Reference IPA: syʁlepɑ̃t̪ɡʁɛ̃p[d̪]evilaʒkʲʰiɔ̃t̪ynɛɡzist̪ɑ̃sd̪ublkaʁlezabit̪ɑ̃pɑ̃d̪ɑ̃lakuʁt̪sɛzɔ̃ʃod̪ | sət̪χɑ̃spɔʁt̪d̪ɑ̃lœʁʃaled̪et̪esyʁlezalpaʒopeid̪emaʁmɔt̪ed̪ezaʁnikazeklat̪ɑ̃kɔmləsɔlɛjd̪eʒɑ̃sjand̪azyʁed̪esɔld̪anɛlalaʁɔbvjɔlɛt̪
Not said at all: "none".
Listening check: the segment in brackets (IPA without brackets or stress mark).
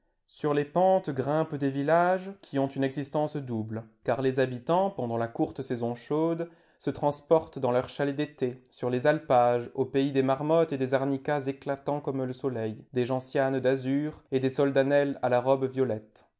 d̪